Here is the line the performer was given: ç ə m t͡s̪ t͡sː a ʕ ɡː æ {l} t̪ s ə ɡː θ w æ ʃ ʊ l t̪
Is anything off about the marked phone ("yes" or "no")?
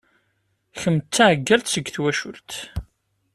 no